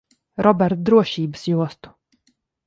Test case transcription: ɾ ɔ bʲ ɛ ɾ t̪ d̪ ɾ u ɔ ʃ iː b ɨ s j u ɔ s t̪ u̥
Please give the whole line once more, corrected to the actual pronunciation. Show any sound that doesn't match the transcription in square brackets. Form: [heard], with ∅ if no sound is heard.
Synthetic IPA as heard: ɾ ɔ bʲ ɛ ɾ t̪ d̪ ɾ u ɔ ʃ iː b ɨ s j u ɔ s t̪ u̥